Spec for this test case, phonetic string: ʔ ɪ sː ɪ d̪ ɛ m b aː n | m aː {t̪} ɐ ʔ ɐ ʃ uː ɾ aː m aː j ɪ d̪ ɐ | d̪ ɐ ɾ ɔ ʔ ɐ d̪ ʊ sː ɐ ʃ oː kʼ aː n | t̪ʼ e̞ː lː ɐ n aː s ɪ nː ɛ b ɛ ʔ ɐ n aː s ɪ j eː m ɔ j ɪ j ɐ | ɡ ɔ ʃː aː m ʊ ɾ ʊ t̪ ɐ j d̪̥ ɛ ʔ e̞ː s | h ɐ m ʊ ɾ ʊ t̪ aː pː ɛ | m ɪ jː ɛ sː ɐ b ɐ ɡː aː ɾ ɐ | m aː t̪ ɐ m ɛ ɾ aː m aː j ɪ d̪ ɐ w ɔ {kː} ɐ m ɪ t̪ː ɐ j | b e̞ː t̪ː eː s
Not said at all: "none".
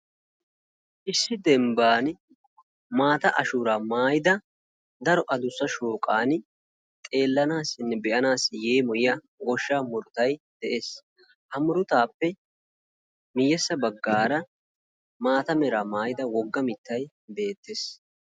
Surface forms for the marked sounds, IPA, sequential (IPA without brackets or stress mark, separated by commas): t̪, ɡː